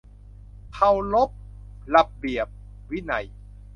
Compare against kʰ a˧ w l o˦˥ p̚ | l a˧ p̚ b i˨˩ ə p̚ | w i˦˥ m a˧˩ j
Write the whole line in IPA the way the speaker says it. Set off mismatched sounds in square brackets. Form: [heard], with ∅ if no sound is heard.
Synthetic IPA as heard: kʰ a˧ w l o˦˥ p̚ | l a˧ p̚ b i˨˩ ə p̚ | w i˦˥ [n] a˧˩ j